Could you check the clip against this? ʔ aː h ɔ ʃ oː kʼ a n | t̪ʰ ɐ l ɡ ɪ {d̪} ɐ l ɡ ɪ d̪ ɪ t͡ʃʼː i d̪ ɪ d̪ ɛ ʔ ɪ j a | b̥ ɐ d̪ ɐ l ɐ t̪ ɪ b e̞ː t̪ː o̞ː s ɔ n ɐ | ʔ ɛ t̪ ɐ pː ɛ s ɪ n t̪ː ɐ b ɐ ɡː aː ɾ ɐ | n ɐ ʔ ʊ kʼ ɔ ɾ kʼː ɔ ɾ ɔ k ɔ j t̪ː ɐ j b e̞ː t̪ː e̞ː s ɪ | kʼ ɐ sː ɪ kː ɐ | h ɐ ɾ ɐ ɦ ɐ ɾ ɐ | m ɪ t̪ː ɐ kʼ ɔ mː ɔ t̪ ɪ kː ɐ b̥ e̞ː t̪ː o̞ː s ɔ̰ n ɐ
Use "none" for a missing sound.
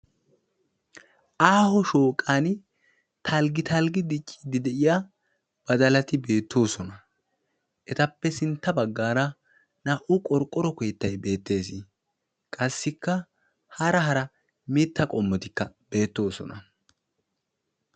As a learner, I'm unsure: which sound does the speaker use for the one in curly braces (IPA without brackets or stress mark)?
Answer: t̪